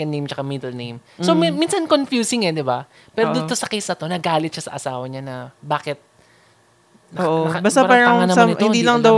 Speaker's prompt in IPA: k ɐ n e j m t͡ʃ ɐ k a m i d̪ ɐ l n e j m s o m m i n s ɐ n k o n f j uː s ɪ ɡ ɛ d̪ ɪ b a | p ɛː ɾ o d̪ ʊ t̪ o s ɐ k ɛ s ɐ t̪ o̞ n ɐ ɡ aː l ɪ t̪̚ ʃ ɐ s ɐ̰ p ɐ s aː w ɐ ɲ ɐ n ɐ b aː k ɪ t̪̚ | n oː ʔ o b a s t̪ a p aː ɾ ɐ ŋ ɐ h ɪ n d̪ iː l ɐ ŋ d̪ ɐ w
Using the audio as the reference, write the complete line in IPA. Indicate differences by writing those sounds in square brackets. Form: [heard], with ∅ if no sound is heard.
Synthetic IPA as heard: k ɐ n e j m t͡ʃ ɐ k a m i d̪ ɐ l n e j m s o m m i n s ɐ n k o n f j uː s ɪ [ŋ] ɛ d̪ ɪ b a | p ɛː ɾ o d̪ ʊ t̪ o s ɐ k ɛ s ɐ t̪ o̞ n ɐ ɡ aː l ɪ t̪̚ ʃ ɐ s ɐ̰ [ʔ] ɐ s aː w ɐ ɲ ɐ n ɐ b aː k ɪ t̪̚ | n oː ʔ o b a s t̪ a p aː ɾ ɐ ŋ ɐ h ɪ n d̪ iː l ɐ ŋ d̪ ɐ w